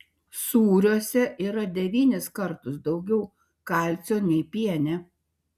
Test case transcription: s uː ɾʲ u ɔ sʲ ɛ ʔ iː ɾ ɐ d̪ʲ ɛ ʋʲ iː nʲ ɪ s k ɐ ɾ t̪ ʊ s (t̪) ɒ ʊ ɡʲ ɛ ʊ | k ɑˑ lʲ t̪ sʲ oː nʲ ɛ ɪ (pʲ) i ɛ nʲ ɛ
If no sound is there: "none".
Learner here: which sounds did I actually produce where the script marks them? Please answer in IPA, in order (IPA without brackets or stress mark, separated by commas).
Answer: d̪, pʲ